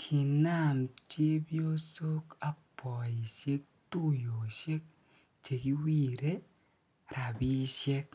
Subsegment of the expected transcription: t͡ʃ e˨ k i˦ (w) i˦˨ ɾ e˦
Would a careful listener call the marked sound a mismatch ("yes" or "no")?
no